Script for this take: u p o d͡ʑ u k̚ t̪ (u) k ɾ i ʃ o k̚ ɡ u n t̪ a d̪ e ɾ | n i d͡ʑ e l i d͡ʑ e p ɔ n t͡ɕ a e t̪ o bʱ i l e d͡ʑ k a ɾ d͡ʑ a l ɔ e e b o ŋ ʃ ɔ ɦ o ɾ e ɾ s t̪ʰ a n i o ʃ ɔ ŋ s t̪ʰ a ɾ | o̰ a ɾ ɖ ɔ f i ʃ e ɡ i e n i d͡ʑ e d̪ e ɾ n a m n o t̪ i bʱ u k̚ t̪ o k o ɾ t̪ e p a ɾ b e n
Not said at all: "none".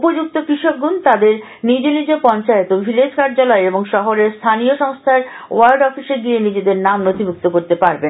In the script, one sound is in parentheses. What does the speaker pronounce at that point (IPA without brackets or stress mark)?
o